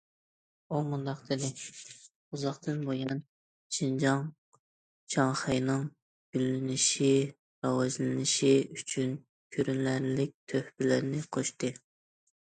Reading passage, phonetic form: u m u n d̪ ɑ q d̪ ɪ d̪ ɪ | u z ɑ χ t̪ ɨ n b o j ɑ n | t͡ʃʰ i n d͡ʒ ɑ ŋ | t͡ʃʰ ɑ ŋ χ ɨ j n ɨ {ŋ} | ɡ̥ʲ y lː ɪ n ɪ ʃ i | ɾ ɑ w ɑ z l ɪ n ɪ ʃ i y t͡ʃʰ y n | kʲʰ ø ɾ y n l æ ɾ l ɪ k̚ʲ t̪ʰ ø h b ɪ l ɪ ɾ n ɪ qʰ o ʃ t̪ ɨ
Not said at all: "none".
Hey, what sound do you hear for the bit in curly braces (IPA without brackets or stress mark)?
ŋ